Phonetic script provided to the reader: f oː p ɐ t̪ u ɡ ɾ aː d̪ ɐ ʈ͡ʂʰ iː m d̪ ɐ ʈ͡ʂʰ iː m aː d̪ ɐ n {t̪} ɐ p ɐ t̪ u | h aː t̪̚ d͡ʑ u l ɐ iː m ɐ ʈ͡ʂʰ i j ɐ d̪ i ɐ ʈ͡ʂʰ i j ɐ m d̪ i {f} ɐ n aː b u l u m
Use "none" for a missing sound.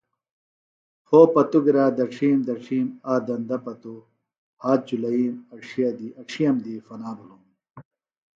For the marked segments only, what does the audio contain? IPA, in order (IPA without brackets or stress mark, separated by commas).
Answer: d̪, f